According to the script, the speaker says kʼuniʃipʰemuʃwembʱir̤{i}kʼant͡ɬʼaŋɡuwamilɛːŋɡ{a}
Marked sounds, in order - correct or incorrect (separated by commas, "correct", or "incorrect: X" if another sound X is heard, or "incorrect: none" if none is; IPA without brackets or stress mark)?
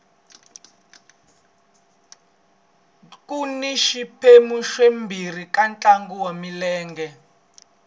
correct, incorrect: ɛ